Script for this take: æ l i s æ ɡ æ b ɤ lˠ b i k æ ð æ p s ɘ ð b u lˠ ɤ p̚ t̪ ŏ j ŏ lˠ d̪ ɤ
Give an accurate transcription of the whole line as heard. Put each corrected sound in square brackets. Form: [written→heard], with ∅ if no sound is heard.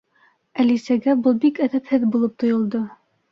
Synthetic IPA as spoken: æ l i s æ ɡ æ b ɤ lˠ b i k æ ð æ p [s→h] ɘ ð b u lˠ ɤ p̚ t̪ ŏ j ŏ lˠ d̪ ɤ